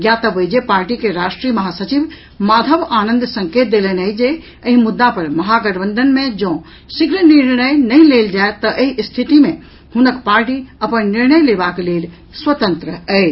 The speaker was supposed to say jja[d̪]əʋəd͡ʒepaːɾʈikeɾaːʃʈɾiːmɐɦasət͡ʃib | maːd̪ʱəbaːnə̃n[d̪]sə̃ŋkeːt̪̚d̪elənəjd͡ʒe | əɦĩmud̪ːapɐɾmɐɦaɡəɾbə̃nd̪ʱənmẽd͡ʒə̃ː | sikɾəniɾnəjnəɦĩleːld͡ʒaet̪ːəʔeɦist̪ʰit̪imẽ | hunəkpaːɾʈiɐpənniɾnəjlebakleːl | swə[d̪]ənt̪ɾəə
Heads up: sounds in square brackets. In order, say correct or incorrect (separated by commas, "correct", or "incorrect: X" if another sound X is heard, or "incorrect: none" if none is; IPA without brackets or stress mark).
incorrect: t̪, correct, incorrect: t̪